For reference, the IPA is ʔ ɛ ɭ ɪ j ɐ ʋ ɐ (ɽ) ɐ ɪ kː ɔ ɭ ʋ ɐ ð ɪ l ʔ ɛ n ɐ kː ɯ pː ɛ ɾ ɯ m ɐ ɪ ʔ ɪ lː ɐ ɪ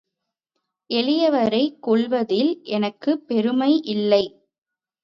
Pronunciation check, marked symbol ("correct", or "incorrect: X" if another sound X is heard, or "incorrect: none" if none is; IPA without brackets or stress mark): incorrect: ɾ